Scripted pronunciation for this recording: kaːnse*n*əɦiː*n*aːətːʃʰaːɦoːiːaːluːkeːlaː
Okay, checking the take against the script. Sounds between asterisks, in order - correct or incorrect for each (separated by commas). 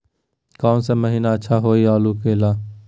incorrect, correct